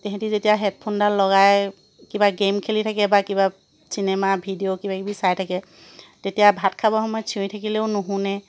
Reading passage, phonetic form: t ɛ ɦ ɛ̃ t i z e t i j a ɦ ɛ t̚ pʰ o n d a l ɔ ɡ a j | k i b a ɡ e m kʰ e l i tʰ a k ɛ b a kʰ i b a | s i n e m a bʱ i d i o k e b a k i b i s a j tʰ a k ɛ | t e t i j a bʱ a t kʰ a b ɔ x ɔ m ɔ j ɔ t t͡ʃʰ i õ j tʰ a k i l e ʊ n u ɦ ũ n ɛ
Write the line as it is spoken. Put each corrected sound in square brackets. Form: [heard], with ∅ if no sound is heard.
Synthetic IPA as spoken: t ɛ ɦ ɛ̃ t i z e t i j a ɦ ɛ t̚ pʰ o n d a l ɔ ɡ a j | k i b a ɡ e m kʰ e l i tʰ a k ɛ b a [k] i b a | s i n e m a bʱ i d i o k [i] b a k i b i s a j tʰ a k ɛ | t e t i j a bʱ a t kʰ a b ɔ x ɔ m ɔ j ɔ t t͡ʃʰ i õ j tʰ a k i l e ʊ n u ɦ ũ n ɛ